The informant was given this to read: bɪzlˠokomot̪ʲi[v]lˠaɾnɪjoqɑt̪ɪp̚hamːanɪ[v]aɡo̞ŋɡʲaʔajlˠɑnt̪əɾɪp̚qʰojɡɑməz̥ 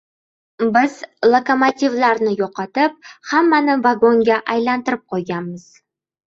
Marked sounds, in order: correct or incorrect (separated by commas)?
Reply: correct, correct